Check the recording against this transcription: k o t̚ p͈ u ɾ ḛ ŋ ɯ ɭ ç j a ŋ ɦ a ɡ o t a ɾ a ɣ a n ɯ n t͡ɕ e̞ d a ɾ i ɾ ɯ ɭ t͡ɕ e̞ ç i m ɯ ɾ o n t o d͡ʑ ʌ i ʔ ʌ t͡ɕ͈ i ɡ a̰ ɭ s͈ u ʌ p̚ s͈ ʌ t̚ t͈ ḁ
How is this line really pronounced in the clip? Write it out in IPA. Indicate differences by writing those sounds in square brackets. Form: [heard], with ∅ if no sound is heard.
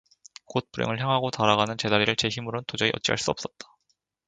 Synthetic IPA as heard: k o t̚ p͈ u ɾ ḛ ŋ ɯ ɭ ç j a ŋ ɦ a ɡ o t a ɾ a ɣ a n ɯ n t͡ɕ e̞ d a ɾ i ɾ ɯ ɭ t͡ɕ e̞ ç i m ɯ ɾ o n t o d͡ʑ ʌ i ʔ ʌ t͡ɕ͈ i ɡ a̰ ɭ s͈ u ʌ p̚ s͈ ʌ t̚ t͈ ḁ